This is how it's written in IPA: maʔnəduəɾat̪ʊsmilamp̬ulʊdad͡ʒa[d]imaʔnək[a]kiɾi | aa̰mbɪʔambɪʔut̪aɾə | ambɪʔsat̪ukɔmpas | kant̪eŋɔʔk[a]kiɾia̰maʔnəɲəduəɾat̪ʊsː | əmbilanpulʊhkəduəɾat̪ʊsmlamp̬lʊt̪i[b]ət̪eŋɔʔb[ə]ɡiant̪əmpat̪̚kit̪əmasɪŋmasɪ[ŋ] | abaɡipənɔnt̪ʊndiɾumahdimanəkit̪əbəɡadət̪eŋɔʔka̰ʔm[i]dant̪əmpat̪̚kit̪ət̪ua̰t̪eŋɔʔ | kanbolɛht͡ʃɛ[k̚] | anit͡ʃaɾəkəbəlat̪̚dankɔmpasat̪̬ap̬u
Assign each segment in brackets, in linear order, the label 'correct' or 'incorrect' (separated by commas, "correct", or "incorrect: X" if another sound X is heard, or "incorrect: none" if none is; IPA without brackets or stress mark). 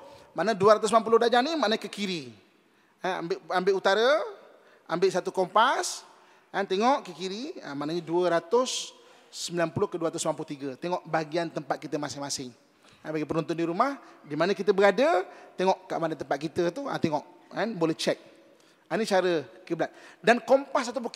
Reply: incorrect: n, incorrect: ə, incorrect: ə, incorrect: ɡ, incorrect: a, correct, incorrect: a, correct